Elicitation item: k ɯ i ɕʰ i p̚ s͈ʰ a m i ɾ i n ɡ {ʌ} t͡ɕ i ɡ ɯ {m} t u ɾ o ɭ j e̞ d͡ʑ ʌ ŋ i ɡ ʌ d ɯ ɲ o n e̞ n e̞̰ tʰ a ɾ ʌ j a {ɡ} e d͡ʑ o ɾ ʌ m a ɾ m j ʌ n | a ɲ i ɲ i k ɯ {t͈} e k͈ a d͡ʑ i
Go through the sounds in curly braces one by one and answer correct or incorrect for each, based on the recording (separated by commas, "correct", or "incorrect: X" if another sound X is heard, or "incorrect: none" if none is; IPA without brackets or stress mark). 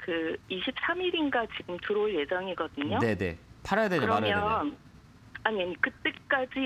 incorrect: a, correct, incorrect: d, correct